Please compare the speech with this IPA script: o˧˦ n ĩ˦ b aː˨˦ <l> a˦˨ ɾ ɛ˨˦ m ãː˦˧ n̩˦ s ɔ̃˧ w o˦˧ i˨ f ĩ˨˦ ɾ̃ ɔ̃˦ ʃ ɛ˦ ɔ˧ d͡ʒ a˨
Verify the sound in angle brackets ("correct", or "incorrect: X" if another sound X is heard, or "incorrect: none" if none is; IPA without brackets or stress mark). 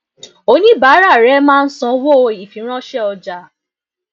incorrect: ɾ